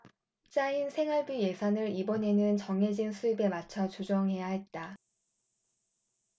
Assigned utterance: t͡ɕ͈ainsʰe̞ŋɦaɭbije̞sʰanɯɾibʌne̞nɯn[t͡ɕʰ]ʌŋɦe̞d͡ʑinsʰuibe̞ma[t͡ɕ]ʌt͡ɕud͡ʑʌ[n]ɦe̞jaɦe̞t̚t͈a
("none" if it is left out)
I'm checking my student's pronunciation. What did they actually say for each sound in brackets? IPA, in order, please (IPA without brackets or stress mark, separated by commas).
t͡ɕ, t͡ɕʰ, ŋ